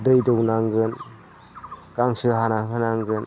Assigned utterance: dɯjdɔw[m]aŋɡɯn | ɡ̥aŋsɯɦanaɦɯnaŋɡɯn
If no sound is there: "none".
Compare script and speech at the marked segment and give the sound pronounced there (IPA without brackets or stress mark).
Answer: n